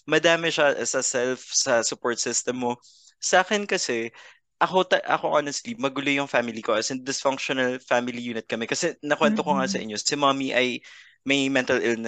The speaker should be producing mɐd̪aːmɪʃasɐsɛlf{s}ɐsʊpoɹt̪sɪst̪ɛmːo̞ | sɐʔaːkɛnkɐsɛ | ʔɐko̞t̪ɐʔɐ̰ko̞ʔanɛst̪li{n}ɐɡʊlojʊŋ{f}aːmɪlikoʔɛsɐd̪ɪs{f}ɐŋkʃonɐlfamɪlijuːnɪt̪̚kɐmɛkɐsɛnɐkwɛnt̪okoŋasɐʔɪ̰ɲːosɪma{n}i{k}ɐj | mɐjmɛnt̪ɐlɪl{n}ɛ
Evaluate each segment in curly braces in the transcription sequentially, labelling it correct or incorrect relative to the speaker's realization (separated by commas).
correct, incorrect, correct, correct, incorrect, incorrect, correct